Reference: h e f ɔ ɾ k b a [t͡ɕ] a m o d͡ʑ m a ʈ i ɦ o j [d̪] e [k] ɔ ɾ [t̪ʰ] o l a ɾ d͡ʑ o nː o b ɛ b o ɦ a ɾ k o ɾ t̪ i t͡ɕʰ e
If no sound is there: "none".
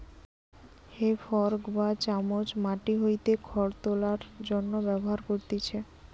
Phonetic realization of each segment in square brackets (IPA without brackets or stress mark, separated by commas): t͡ɕ, t̪, kʰ, t̪